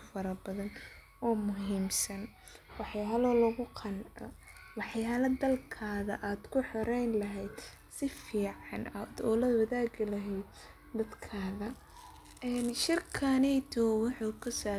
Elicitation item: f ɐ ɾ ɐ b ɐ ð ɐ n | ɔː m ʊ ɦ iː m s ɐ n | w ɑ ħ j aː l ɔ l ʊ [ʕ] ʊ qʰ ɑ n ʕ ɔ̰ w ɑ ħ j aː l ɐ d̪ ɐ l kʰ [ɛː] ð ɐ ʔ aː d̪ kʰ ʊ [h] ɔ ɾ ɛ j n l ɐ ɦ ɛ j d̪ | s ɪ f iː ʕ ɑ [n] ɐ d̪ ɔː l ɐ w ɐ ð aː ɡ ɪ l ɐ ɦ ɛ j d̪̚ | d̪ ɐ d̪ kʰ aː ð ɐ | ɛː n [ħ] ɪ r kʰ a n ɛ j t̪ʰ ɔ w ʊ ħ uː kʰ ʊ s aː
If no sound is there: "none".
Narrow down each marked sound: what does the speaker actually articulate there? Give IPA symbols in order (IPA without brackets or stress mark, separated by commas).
ɣ, aː, ħ, n, ʃ